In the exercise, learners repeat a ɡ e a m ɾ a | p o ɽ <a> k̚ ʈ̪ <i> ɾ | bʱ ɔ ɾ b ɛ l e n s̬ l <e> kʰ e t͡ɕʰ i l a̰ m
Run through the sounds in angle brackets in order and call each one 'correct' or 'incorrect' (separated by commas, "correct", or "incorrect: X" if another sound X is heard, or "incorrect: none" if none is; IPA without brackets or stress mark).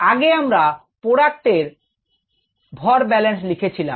correct, incorrect: e, incorrect: i